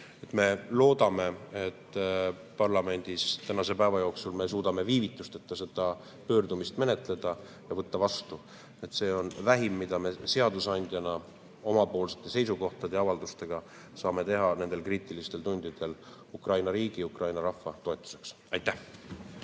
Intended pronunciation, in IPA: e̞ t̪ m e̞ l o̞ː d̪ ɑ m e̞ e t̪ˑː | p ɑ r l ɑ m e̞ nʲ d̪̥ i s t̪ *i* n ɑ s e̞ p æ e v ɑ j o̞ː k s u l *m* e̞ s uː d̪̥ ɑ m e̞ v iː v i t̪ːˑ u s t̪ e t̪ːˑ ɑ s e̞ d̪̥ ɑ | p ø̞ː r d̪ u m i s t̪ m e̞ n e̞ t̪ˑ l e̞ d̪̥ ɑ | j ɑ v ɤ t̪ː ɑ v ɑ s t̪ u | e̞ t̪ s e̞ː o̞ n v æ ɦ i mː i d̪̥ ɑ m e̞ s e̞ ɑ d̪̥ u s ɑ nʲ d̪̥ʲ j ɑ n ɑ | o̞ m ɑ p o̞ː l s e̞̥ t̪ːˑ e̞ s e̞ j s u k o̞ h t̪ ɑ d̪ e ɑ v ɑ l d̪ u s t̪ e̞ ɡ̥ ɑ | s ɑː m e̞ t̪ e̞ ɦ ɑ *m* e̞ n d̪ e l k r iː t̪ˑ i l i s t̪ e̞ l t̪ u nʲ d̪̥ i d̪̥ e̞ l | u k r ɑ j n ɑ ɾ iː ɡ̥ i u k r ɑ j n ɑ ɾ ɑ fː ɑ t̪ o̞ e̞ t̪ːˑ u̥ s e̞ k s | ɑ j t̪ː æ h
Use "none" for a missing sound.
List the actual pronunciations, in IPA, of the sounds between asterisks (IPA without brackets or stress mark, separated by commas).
æ, m, n